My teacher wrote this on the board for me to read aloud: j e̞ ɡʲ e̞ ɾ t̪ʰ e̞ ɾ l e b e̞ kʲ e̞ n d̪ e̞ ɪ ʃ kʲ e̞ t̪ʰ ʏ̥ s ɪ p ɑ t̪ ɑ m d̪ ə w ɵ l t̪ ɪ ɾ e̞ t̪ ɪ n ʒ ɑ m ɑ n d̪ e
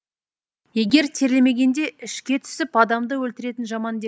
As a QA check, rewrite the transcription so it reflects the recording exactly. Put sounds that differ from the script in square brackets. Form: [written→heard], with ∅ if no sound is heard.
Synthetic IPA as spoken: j e̞ ɡʲ e̞ ɾ t̪ʰ e̞ ɾ l e [b→m] e̞ [kʲ→ɡʲ] e̞ n d̪ e̞ ɪ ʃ kʲ e̞ t̪ʰ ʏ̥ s ɪ p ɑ [t̪→d̪] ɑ m d̪ ə w ɵ l t̪ ɪ ɾ e̞ t̪ ɪ n ʒ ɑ m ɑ n d̪ e

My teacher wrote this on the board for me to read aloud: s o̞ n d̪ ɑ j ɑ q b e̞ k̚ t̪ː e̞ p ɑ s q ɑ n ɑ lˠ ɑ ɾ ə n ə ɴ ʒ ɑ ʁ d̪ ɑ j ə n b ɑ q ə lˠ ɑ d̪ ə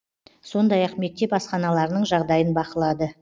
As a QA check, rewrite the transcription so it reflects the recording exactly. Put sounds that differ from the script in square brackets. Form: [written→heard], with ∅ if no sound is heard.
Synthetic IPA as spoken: s o̞ n d̪ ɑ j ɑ q [b→m] e̞ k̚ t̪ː e̞ p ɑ s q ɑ n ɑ lˠ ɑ ɾ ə n ə ɴ ʒ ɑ ʁ d̪ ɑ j ə n b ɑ q ə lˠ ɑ d̪ ə

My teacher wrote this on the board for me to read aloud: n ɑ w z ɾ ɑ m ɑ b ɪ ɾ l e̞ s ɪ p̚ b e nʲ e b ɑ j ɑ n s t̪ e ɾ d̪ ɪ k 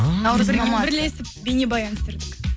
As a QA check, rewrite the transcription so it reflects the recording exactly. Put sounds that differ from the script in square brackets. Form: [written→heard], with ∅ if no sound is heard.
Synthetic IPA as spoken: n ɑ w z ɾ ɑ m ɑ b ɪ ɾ l e̞ s ɪ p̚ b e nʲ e b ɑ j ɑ n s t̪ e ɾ d̪ ɪ k

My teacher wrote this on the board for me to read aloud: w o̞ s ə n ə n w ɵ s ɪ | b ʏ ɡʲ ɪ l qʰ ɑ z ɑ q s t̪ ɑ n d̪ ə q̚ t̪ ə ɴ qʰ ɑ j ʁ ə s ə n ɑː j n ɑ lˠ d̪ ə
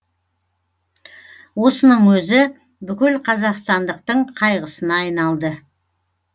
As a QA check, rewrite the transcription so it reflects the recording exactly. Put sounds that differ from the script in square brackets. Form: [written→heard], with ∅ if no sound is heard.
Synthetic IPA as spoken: w o̞ s ə n ə [n→ɴ] w ɵ [s→z] ɪ | b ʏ [ɡʲ→kʲ] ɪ l qʰ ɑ z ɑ q s t̪ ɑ n d̪ ə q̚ t̪ ə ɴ qʰ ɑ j ʁ ə s ə n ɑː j n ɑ lˠ d̪ ə

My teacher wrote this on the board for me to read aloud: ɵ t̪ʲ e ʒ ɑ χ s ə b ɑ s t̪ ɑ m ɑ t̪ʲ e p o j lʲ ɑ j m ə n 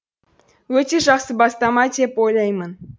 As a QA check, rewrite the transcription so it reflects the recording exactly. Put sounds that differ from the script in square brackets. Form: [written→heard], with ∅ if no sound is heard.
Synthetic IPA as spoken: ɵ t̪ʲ e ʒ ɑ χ s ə b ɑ s t̪ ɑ m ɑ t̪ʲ e p o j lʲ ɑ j m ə n

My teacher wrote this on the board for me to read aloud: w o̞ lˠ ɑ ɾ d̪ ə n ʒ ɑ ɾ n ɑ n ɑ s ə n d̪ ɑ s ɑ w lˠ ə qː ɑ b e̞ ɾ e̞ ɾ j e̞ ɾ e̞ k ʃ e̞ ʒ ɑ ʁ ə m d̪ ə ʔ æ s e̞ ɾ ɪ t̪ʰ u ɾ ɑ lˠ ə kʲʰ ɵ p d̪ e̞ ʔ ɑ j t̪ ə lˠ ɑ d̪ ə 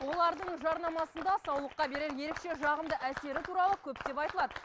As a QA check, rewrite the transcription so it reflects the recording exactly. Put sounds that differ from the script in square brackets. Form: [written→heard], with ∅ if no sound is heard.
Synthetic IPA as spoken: w o̞ lˠ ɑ ɾ d̪ ə [n→ɴ] ʒ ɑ ɾ n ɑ [n→m] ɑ s ə n d̪ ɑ s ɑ w lˠ ə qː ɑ b e̞ ɾ e̞ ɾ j e̞ ɾ e̞ k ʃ e̞ ʒ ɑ ʁ ə m d̪ ə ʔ æ s e̞ ɾ ɪ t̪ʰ u ɾ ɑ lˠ ə kʲʰ ɵ p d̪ e̞ [ʔ→p] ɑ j t̪ ə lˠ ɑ d̪ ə

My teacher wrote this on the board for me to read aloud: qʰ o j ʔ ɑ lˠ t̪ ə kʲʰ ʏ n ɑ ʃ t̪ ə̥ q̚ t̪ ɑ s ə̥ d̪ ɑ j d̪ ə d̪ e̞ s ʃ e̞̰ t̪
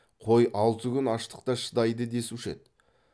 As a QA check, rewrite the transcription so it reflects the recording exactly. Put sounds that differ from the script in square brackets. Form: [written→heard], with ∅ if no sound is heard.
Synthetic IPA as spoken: qʰ o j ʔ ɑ lˠ t̪ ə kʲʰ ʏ n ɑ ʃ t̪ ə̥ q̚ t̪ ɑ [s→ʃ] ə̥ d̪ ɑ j d̪ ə d̪ e̞ s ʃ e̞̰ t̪

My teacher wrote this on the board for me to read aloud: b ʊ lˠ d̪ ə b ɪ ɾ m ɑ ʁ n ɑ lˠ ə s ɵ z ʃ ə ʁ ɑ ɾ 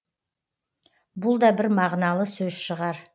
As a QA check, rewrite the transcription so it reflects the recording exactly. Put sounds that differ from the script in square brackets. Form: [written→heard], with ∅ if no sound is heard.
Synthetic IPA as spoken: b ʊ lˠ d̪ [ə→ɑ] b ɪ ɾ m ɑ ʁ n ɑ lˠ ə s ɵ z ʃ ə ʁ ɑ ɾ

